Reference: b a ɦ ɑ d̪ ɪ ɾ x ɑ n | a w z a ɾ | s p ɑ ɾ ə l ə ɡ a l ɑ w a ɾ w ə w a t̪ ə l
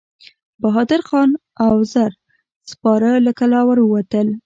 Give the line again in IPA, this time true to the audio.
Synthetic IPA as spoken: b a ɦ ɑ d̪ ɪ ɾ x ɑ n | a w z a ɾ | s p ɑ ɾ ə l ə k a l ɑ w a ɾ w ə w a t̪ ə l